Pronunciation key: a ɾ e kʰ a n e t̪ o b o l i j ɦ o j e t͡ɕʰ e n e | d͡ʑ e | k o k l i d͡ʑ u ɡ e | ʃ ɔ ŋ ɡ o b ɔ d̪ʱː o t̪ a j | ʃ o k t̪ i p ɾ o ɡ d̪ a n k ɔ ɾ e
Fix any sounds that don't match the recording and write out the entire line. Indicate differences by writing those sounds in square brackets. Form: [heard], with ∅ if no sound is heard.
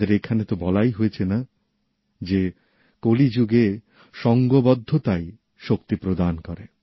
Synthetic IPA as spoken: [e] ɾ e kʰ a n e t̪ o b [ɔ] l [a] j ɦ o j e t͡ɕʰ e n [a] | d͡ʑ e | k o [∅] l i d͡ʑ u ɡ e | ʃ ɔ ŋ ɡ o b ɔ d̪ʱː o t̪ a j | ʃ o k t̪ i p ɾ o [∅] d̪ a n k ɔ ɾ e